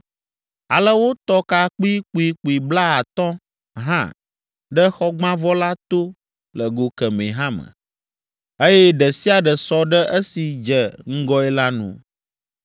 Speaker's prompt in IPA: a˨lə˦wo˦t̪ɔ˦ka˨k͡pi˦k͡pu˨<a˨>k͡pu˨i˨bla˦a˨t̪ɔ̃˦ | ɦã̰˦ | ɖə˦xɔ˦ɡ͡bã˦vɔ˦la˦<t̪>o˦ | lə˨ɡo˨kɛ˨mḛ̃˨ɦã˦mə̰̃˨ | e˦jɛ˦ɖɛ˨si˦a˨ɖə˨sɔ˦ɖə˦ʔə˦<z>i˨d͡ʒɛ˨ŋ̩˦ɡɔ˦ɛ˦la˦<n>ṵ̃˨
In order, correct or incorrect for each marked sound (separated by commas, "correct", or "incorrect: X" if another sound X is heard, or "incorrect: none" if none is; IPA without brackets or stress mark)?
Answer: incorrect: i˨, correct, incorrect: s, correct